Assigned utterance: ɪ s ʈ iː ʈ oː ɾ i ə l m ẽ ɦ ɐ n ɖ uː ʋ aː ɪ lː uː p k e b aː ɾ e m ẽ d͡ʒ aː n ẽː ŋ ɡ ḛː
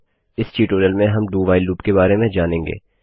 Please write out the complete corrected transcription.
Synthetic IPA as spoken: ɪ s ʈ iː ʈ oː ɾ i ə l m ẽ ɦ ɐ m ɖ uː ʋ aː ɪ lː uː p k e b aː ɾ e m ẽ d͡ʒ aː n ẽː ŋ ɡ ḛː